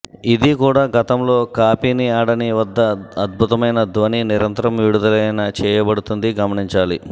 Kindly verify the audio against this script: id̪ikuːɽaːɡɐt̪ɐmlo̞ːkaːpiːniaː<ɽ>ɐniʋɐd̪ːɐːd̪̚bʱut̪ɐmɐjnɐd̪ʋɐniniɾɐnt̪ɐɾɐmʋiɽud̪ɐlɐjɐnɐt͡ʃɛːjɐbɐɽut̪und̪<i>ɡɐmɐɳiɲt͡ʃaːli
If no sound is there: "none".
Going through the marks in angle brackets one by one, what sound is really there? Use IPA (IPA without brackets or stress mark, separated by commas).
ɽ, i